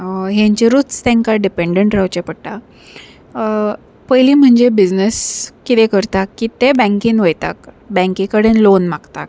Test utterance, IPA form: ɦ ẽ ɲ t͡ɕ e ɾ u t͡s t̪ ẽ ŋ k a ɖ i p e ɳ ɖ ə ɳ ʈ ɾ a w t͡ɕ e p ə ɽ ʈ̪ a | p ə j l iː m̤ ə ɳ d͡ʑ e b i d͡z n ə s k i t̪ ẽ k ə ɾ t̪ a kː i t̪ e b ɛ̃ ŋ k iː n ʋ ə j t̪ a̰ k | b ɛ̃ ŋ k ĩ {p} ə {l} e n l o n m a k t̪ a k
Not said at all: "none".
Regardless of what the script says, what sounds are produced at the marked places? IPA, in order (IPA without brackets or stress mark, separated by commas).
k, ɽ